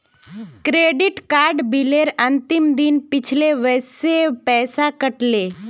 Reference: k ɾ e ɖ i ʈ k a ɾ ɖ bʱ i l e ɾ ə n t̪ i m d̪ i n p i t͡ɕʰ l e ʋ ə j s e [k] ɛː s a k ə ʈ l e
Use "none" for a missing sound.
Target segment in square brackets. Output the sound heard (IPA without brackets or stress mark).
p